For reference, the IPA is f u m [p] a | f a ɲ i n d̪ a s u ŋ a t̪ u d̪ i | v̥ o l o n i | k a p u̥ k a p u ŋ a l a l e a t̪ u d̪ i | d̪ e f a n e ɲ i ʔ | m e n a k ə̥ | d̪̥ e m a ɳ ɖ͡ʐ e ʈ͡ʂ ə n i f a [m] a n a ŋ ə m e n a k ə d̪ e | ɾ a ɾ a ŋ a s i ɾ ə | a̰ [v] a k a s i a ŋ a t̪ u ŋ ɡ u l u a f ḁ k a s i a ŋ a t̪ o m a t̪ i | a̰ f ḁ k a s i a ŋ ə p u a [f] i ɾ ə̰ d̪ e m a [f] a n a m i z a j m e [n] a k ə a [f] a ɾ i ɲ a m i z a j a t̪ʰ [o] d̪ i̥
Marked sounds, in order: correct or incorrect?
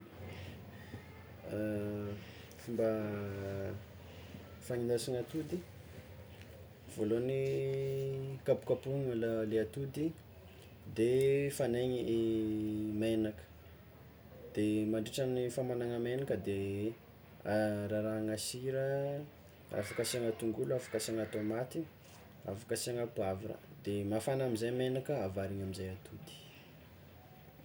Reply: incorrect: b, correct, incorrect: f, incorrect: v, correct, correct, incorrect: v, incorrect: u

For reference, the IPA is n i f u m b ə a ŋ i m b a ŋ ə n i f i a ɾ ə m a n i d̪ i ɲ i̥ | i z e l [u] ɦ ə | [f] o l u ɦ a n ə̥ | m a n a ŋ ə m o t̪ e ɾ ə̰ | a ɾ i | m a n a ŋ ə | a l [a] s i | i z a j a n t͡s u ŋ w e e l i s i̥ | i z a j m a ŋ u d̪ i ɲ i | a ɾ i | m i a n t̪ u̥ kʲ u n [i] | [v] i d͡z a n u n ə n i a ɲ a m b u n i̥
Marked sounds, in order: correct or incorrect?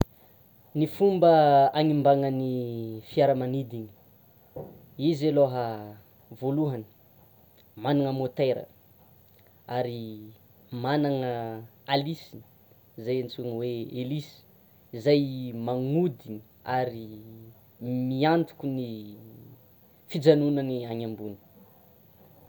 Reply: incorrect: o, incorrect: v, incorrect: i, correct, incorrect: f

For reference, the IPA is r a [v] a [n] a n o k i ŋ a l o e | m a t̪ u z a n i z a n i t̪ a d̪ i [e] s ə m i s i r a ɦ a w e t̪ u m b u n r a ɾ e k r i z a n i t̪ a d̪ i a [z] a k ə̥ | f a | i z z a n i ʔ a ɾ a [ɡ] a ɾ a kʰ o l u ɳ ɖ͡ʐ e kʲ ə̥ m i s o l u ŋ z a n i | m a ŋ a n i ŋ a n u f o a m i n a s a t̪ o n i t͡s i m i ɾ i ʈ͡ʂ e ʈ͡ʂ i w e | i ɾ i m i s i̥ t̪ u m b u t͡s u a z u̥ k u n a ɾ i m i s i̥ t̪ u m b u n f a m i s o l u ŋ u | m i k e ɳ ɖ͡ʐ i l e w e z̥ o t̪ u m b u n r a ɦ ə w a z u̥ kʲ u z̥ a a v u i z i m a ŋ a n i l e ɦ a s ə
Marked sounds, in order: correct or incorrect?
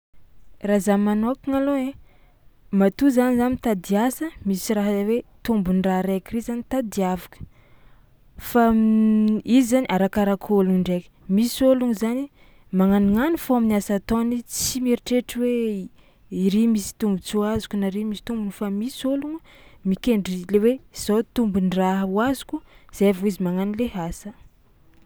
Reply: incorrect: z, incorrect: m, incorrect: a, incorrect: v, incorrect: k

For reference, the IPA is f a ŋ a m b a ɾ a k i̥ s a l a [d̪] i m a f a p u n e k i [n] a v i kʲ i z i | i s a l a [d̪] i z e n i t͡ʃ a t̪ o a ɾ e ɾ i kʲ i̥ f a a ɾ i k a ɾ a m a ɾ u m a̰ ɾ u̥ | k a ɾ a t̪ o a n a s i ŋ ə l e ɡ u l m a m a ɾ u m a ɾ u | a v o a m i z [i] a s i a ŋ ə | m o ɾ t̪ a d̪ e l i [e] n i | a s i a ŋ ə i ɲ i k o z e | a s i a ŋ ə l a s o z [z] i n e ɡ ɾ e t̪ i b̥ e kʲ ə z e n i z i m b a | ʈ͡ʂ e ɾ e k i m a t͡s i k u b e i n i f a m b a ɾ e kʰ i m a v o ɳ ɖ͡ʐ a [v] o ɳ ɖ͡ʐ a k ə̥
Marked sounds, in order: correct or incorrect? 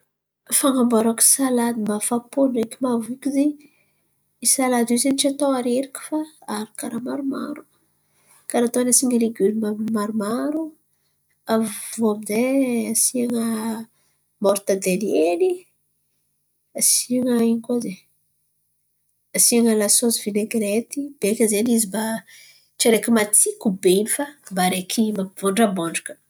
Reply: correct, incorrect: m, correct, incorrect: e, correct, incorrect: v, incorrect: b

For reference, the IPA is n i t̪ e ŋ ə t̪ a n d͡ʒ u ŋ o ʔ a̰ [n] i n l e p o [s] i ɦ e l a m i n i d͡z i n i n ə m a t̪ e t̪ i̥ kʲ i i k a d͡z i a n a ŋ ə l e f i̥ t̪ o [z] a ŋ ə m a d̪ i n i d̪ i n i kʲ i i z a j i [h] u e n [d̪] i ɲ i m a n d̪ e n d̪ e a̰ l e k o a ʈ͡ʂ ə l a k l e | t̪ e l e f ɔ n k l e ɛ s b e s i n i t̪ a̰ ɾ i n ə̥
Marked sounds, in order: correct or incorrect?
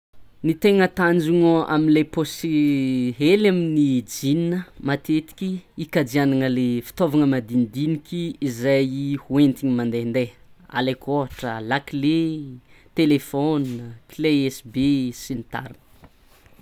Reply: incorrect: m, correct, incorrect: v, correct, incorrect: t̪

